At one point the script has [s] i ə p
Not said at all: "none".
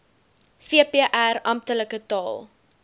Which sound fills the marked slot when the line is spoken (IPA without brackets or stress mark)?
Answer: f